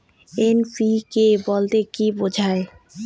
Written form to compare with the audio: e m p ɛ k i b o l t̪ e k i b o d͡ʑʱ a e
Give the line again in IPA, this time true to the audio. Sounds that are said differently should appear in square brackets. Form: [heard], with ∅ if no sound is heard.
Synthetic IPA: e [n] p [i] k [e] b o l t̪ e k i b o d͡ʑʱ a e